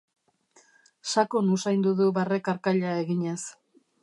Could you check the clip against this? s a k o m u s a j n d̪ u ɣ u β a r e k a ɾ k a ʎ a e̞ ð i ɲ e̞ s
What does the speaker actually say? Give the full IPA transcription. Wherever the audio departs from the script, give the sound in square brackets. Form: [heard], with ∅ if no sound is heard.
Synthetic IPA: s a k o [n] u s a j n d̪ u [ð] u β a r e k a ɾ k a ʎ a e̞ [ɣ] i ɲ e̞ s